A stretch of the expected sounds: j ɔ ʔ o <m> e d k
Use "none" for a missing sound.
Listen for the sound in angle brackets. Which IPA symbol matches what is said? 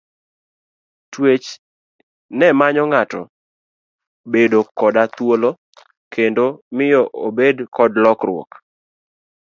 b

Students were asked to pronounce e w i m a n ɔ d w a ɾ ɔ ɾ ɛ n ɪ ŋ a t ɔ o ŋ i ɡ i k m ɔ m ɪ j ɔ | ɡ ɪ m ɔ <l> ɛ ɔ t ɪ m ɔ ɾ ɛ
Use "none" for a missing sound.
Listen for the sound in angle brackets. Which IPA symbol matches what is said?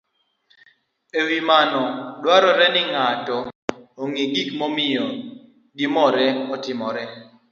ɾ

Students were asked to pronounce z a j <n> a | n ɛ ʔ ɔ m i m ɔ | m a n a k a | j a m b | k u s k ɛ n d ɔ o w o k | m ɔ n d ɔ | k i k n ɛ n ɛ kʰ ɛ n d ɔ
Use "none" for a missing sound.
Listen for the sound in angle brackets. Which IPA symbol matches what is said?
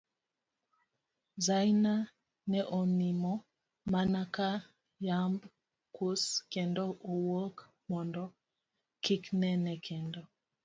n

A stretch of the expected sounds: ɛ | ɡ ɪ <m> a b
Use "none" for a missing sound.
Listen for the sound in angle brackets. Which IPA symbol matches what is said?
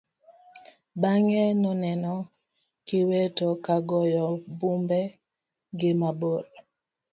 m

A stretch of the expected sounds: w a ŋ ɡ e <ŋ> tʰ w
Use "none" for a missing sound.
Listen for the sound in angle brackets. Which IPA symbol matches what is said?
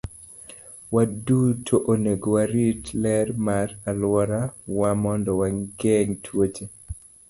ŋ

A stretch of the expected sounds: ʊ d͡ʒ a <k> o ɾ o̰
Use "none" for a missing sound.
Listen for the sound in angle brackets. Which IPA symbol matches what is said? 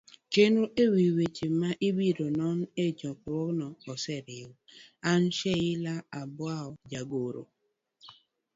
ɡ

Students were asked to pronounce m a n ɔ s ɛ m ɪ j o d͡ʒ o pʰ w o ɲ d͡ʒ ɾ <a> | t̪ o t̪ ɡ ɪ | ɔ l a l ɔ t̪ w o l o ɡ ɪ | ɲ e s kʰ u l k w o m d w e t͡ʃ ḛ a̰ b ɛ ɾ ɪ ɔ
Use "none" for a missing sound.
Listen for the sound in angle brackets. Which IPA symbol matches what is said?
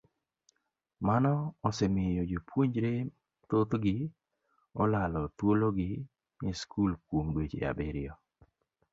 e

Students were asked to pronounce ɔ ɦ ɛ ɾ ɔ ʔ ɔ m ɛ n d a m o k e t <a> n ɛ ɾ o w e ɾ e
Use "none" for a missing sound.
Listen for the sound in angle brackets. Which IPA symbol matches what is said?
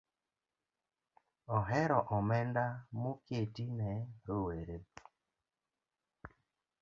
i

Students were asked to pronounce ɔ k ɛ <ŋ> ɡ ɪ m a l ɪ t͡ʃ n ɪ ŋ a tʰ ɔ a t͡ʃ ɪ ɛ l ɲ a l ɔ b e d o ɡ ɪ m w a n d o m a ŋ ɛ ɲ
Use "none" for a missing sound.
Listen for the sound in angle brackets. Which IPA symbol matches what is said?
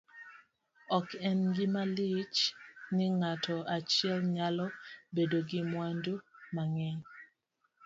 n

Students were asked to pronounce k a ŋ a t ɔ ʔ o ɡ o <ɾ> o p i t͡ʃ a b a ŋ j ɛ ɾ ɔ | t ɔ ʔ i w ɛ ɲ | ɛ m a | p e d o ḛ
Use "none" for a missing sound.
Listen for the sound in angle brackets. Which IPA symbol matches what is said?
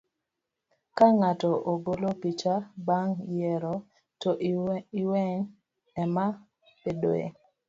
l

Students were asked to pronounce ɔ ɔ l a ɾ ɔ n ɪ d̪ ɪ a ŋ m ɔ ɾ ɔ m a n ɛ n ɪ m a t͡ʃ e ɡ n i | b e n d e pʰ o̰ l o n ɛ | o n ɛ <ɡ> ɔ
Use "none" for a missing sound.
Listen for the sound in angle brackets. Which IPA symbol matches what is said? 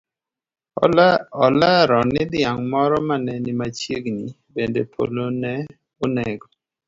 ɡ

